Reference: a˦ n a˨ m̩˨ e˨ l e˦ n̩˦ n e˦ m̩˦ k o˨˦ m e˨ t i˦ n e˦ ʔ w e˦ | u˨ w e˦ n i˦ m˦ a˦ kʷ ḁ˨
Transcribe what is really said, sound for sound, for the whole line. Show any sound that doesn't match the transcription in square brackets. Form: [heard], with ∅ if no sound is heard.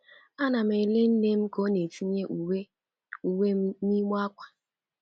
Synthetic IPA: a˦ n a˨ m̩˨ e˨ l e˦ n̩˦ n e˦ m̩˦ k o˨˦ [n] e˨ t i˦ [ɲ] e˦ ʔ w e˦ | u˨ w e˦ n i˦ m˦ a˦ kʷ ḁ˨